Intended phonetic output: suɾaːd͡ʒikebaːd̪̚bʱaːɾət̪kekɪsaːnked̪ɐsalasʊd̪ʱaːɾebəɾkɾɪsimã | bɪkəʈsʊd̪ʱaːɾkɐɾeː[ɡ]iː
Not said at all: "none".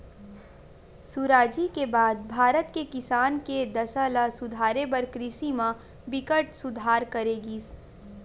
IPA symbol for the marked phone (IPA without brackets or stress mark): ɡ